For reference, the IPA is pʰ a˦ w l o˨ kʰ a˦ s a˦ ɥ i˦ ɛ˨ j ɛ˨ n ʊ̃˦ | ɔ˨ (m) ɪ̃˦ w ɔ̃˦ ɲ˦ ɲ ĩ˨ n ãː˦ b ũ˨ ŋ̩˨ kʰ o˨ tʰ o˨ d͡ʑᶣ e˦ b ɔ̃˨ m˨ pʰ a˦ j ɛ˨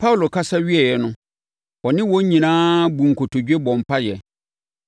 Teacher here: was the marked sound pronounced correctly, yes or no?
no